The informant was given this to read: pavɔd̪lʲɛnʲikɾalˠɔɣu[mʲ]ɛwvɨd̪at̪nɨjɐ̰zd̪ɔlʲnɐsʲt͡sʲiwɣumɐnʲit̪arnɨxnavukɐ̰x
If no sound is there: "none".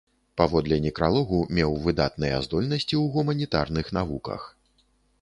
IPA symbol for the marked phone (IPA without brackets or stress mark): mʲ